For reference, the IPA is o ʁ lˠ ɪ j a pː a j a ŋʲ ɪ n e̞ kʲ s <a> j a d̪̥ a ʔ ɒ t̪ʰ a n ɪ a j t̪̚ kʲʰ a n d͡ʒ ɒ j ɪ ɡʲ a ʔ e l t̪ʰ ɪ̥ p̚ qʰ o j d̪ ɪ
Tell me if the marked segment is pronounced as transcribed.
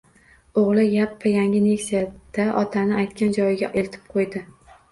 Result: no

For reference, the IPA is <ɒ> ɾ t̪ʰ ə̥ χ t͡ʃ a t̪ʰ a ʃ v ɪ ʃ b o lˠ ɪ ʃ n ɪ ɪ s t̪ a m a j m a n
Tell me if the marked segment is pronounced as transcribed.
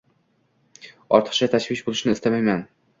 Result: yes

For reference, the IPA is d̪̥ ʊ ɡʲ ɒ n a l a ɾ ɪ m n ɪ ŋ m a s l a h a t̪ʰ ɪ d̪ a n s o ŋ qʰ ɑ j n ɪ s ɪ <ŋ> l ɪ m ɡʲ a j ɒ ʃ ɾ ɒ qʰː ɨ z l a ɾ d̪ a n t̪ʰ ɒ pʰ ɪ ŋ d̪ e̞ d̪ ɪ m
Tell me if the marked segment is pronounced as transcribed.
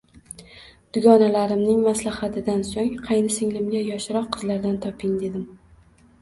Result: yes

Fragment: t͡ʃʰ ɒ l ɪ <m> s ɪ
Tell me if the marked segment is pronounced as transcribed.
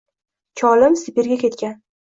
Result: yes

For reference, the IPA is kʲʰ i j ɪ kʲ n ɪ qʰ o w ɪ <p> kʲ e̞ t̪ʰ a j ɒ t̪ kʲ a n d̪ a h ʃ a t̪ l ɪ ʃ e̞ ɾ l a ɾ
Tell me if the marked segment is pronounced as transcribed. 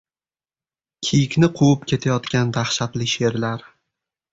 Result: yes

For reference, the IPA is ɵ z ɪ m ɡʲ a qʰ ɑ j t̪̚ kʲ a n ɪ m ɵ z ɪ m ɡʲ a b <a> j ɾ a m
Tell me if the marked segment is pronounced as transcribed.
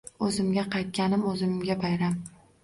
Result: yes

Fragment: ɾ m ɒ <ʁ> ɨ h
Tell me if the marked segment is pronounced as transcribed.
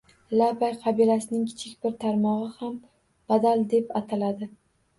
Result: yes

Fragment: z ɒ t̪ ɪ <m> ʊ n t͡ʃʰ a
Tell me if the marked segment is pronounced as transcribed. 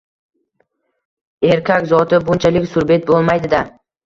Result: no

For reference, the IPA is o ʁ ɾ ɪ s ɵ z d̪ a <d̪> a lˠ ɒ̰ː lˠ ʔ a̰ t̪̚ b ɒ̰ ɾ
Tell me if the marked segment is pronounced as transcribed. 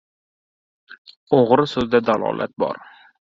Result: yes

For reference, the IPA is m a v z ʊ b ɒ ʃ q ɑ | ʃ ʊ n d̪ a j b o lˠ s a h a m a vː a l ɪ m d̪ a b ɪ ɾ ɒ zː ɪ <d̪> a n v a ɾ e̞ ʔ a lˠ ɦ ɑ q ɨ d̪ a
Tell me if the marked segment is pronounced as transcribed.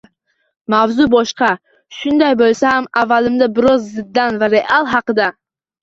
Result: no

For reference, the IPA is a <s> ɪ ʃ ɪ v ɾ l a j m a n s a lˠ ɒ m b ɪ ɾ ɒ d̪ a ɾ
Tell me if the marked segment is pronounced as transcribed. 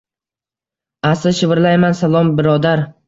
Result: yes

